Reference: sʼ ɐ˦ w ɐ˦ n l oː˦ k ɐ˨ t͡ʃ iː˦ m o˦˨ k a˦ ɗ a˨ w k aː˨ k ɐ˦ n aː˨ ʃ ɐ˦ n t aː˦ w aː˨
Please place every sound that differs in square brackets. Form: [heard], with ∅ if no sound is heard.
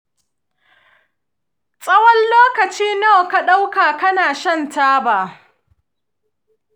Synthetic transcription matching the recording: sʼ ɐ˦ w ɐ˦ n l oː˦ k ɐ˨ t͡ʃ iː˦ [n] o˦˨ k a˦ ɗ [a˦] w k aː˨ k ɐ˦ n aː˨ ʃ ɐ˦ n t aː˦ [b] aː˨